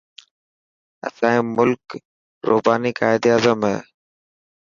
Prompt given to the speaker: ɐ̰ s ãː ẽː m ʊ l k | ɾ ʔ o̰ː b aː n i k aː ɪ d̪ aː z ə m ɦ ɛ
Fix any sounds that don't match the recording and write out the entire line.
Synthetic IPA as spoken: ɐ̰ s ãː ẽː m ʊ l k | ɾ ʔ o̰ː b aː n i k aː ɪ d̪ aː z ə m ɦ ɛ

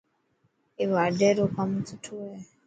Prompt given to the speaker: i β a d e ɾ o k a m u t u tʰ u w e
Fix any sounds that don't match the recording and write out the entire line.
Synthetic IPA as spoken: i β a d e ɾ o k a m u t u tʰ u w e

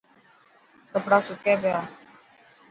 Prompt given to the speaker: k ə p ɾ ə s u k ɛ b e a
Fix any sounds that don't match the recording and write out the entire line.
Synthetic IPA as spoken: k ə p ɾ a s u k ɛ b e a

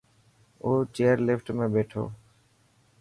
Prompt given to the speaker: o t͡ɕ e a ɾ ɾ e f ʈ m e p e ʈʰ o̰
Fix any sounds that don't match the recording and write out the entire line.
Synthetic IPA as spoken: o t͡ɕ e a ɾ l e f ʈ m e b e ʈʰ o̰

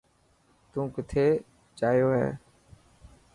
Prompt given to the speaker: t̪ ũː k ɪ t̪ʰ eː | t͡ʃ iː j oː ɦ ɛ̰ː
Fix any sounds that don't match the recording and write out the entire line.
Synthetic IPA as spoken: t̪ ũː k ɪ t̪ʰ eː | t͡ʃ aː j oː ɦ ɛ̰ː

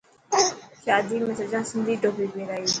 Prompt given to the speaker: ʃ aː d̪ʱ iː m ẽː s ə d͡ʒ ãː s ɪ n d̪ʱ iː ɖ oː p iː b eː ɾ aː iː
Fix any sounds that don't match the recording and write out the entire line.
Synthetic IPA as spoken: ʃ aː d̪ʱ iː m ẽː s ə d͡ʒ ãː s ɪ n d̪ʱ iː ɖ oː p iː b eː ɾ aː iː

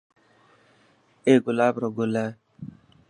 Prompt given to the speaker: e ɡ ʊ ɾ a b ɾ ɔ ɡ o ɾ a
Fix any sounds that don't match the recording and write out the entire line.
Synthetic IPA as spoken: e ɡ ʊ l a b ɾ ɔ ɡ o l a

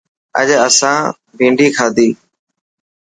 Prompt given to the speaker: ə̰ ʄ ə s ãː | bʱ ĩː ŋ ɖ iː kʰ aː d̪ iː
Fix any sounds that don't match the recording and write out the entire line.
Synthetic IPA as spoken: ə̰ ʄ ə s ãː | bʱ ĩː ɳ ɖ iː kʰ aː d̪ iː

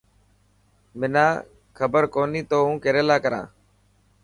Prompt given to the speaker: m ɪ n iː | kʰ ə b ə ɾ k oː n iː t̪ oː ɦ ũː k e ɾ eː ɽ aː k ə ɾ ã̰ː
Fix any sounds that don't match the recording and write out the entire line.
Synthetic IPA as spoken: m ɪ n aː | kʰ ə b ə ɾ k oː n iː t̪ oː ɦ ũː k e ɾ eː l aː k ə ɾ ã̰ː

